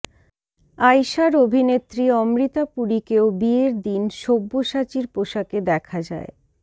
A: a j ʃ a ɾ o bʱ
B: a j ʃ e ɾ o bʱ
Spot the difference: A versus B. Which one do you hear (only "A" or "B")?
A